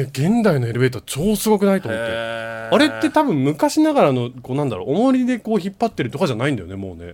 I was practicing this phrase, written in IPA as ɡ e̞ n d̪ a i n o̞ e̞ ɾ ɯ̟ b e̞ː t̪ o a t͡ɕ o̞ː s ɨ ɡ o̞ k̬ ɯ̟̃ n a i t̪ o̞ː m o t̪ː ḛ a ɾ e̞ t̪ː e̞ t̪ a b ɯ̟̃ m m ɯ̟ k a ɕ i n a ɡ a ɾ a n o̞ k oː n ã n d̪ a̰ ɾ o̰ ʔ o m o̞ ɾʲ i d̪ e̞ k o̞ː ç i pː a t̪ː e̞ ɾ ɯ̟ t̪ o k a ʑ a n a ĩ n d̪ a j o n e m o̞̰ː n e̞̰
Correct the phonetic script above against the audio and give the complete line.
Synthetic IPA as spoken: ɡ ẽ̞ n d̪ a i n o̞ e̞ ɾ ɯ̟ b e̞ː t̪ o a t͡ɕ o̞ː s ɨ ɡ o̞ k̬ ɯ̟ n a i t̪ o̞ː m o t̪ː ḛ a ɾ e̞ t̪ː e̞ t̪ a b ɯ̟̃ m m ɯ̟ k a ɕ i n a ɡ a ɾ a n o̞ k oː n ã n d̪ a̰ ɾ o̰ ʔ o m o̞ ɾʲ i d̪ e̞ k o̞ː ç i pː a t̪ː e̞ ɾ ɯ̟ t̪ o k a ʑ a n a ĩ n d̪ a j o n e m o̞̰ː n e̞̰